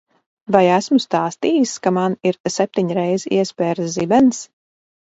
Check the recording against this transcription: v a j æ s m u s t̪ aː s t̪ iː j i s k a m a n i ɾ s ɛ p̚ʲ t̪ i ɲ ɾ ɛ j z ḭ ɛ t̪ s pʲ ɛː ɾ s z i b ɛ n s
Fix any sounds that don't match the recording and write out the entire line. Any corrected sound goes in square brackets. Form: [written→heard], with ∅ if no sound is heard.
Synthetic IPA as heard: v a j æ s m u s t̪ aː s t̪ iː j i s k a m a n i ɾ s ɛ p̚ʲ t̪ i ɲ ɾ ɛ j z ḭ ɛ [t̪→∅] s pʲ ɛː ɾ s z i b ɛ n s